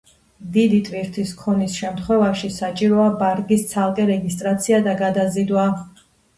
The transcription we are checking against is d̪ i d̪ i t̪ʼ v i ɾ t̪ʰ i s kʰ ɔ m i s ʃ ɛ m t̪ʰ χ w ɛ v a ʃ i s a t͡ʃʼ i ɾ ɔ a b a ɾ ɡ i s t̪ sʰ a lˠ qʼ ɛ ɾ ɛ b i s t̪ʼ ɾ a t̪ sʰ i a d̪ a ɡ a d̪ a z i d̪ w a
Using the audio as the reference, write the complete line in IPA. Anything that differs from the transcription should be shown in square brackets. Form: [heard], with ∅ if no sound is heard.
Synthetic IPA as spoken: d̪ i d̪ i t̪ʼ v i ɾ t̪ʰ i s kʰ ɔ [n] i s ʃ ɛ m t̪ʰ χ w ɛ v a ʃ i s a t͡ʃʼ i ɾ ɔ a b a ɾ ɡ i s t̪ sʰ a lˠ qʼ ɛ ɾ ɛ [ɡ] i s t̪ʼ ɾ a t̪ sʰ i a d̪ a ɡ a d̪ a z i d̪ w a